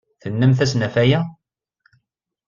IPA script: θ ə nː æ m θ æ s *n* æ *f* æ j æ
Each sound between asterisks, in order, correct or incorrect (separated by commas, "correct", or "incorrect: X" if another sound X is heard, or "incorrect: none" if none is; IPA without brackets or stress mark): correct, correct